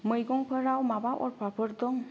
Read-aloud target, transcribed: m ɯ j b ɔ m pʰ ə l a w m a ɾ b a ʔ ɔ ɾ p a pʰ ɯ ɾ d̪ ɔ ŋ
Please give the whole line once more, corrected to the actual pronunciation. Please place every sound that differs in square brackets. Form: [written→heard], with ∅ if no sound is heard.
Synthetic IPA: m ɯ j [b→ɡ] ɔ [m→ŋ] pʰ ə [l→ɾ] a w m a [ɾ→∅] b a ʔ ɔ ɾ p a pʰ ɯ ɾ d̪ ɔ ŋ